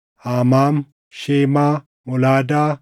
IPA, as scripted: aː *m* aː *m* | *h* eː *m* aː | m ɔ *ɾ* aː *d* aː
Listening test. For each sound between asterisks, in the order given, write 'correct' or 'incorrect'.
correct, correct, incorrect: ʃ, correct, incorrect: l, correct

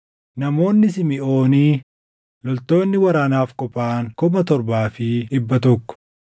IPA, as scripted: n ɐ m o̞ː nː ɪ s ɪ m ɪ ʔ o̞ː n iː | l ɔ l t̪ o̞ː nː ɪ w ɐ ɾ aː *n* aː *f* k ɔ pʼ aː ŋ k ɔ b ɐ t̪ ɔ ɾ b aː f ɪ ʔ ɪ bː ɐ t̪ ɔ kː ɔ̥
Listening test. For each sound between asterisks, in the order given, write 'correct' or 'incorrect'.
correct, correct

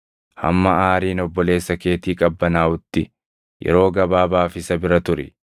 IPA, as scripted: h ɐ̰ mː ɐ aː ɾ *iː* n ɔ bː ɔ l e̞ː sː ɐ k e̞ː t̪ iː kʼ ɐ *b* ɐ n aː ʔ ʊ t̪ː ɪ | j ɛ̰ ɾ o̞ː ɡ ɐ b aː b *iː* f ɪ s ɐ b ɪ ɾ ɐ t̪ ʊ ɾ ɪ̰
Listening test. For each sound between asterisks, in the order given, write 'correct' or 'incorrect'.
correct, incorrect: bː, incorrect: aː

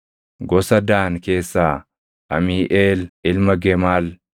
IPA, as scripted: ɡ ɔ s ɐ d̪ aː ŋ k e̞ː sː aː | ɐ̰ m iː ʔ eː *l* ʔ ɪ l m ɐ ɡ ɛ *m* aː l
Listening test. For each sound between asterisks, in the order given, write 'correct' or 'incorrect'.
correct, correct

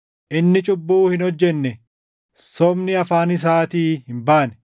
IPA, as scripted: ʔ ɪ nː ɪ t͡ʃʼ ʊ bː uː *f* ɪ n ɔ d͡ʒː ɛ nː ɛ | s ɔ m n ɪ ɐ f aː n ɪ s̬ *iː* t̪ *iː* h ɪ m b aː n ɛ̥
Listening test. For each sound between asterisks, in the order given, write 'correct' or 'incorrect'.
incorrect: h, incorrect: aː, correct

